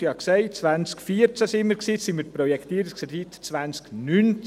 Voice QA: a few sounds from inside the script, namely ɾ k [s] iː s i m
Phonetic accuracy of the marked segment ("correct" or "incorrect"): correct